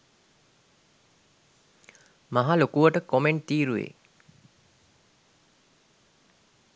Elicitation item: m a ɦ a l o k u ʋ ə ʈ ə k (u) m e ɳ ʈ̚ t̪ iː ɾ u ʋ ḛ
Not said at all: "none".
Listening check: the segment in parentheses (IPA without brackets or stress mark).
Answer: o